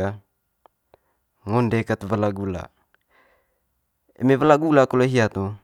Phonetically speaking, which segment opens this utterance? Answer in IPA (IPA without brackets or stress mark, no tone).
a